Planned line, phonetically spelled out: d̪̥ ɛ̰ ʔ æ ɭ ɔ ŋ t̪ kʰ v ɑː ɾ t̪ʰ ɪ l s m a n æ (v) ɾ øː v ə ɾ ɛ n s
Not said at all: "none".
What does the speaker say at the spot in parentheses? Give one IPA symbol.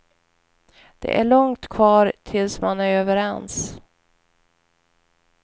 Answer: none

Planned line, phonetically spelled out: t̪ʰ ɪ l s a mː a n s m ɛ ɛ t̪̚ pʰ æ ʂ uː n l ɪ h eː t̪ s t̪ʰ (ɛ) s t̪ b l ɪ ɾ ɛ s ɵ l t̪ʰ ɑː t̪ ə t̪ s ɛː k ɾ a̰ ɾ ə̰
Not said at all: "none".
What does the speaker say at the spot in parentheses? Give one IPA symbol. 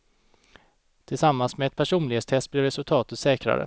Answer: ɛ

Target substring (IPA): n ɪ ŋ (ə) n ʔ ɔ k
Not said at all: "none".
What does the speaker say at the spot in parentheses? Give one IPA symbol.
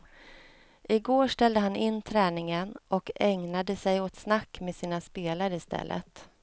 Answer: ə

